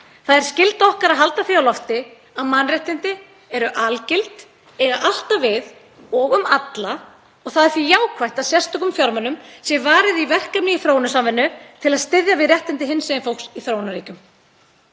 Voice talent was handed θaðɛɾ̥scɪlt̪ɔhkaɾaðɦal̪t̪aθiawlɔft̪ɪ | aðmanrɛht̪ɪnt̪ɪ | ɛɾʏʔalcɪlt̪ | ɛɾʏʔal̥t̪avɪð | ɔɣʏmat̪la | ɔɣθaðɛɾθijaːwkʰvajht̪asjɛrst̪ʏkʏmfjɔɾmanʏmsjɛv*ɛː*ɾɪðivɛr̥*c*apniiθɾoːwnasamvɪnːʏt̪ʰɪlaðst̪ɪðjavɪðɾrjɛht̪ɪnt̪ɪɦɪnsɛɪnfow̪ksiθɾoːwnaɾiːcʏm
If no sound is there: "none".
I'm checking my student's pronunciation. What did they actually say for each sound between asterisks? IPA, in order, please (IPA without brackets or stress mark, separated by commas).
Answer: aː, k